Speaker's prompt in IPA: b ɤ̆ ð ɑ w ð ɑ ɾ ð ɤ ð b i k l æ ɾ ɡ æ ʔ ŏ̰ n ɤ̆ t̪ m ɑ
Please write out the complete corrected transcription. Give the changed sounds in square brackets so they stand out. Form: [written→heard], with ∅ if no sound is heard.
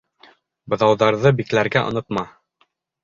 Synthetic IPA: b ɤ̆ ð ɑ w ð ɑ ɾ ð ɤ [ð→∅] b i k l æ ɾ ɡ æ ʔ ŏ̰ n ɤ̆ t̪ m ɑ